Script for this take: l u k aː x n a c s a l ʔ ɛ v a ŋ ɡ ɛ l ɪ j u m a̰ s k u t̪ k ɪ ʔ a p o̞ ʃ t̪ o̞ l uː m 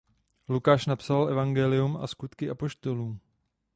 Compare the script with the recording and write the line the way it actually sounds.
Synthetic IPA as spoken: l u k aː ʃ n a p s a l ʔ ɛ v a ŋ ɡ ɛ l ɪ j u m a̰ s k u t̪ k ɪ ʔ a p o̞ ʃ t̪ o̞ l uː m